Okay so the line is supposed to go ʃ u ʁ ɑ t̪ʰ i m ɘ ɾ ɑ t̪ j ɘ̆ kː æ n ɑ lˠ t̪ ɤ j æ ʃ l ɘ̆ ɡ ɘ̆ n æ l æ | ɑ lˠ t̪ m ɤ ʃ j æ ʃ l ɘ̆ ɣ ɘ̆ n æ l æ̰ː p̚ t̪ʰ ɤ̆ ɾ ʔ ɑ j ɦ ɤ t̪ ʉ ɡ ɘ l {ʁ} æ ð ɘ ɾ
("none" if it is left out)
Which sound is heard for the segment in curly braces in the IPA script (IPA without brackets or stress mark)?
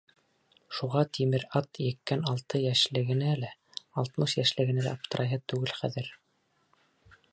χ